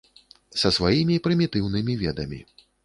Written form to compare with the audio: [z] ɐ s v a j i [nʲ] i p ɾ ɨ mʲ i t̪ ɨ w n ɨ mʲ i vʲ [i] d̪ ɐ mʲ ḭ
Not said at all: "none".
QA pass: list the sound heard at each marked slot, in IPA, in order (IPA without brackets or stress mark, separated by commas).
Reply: s, mʲ, ɛ